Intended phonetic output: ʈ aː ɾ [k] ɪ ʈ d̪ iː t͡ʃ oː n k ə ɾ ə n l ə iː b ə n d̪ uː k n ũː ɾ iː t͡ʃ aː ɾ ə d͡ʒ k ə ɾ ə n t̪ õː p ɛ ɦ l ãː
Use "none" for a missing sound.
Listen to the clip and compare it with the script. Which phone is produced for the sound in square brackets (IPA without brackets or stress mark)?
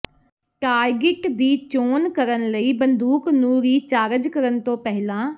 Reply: ɡ